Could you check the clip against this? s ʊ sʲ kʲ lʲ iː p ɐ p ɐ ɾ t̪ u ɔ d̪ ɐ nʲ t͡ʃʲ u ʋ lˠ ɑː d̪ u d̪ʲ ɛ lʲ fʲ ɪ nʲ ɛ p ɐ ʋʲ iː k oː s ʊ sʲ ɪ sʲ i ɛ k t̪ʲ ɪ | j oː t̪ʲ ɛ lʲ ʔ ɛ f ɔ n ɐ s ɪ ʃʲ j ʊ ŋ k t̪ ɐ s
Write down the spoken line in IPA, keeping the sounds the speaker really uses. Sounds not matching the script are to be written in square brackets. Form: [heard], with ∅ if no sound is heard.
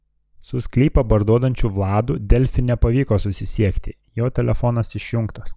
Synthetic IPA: s ʊ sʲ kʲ lʲ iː p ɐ [b] ɐ ɾ [d̪] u ɔ d̪ ɐ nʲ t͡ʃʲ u ʋ lˠ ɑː d̪ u d̪ʲ ɛ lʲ fʲ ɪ nʲ ɛ p ɐ ʋʲ iː k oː s ʊ sʲ ɪ sʲ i ɛ k t̪ʲ ɪ | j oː t̪ʲ ɛ lʲ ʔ ɛ f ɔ n ɐ s ɪ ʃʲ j ʊ ŋ k t̪ ɐ s